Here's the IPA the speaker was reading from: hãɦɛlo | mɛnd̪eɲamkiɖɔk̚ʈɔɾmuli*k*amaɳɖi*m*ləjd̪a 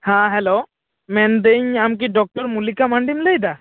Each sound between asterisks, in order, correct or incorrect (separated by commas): correct, correct